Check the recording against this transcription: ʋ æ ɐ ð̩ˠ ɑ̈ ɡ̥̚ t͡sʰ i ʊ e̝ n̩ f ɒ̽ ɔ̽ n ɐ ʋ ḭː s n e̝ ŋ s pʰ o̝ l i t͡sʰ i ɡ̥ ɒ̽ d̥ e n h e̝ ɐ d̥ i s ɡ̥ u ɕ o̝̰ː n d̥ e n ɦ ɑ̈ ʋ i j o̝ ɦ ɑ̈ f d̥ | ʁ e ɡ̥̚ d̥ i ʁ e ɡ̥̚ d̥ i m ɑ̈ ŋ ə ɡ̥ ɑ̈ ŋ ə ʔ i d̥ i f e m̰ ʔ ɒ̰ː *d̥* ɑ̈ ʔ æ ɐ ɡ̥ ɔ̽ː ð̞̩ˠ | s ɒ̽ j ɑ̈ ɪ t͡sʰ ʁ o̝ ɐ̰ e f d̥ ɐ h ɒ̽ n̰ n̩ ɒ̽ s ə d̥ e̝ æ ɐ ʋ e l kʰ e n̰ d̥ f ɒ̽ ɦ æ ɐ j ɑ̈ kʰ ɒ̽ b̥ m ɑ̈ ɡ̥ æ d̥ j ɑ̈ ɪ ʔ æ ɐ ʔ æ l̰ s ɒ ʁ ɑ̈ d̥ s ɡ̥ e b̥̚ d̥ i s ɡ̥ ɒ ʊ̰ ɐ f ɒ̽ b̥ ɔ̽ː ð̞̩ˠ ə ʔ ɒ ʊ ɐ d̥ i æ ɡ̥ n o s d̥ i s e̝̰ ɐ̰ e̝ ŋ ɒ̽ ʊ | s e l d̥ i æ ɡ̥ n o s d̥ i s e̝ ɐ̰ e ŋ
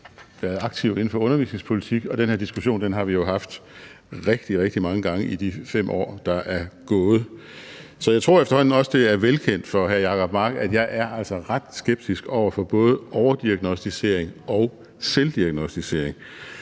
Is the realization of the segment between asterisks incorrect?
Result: no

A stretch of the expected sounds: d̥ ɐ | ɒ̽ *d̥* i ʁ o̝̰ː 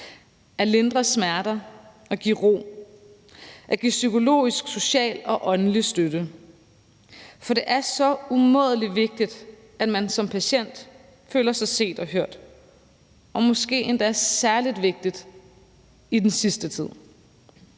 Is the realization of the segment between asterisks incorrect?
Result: yes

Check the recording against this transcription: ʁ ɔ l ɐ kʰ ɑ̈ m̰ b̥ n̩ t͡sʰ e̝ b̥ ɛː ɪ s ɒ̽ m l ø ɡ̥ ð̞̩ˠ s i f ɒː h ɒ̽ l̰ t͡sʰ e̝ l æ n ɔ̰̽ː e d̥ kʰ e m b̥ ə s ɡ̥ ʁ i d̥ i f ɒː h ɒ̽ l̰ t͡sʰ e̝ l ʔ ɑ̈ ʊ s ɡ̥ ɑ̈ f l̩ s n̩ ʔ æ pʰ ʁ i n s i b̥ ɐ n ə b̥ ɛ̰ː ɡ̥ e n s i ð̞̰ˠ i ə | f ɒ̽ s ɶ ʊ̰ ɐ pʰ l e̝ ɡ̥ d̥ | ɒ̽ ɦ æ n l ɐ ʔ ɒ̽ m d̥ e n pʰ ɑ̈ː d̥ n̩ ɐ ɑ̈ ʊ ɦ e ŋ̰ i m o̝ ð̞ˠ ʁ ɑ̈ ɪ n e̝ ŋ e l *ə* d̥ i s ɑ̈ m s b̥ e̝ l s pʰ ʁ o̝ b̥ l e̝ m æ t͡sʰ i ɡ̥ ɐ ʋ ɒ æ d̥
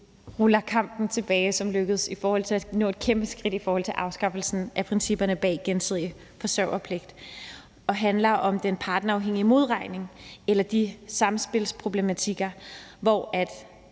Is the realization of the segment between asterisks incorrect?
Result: yes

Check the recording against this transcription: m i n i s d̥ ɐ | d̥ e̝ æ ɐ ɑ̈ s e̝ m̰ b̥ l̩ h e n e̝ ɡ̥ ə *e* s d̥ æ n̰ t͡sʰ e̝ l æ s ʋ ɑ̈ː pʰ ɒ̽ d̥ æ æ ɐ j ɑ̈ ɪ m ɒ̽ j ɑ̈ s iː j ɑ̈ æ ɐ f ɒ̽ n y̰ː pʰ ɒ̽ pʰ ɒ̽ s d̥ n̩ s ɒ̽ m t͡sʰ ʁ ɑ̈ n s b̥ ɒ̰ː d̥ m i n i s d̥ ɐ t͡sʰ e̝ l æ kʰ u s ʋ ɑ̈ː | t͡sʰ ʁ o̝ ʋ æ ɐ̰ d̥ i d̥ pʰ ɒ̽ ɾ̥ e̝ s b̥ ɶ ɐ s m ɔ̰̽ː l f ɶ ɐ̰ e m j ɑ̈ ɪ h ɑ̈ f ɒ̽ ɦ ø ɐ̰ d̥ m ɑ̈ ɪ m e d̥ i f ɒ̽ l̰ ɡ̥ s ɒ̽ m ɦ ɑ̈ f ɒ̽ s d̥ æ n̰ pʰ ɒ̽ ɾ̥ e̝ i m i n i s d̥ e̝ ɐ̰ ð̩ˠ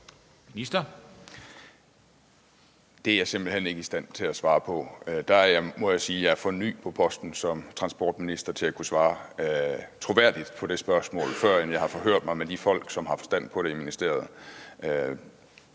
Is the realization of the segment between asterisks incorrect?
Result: yes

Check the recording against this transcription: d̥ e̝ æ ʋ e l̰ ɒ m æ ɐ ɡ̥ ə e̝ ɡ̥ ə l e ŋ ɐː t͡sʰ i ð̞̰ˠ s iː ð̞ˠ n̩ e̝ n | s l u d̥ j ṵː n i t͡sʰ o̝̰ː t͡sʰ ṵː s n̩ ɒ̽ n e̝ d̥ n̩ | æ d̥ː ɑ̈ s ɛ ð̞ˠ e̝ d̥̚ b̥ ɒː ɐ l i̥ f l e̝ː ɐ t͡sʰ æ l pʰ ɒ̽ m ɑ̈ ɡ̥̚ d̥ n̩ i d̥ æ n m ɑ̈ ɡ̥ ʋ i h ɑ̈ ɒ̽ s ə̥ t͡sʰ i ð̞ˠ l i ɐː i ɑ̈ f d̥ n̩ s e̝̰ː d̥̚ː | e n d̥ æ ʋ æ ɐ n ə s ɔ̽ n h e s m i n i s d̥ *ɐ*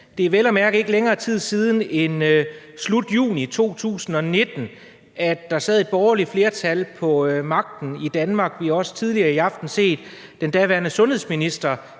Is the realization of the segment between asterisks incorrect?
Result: no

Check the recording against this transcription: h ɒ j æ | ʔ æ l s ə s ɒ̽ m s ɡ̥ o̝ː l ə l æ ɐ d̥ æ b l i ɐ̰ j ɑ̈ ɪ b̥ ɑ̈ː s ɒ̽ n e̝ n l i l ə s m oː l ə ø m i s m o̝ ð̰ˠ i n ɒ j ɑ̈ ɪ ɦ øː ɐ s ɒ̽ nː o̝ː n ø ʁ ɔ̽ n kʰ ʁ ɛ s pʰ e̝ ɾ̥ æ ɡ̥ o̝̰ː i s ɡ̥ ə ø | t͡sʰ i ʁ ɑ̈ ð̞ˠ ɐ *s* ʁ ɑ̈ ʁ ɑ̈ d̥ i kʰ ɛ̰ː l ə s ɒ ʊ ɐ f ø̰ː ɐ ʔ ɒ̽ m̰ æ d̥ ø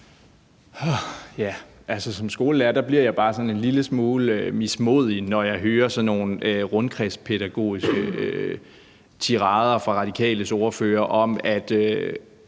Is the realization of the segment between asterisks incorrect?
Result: yes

